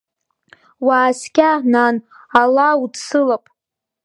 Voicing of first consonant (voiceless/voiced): voiced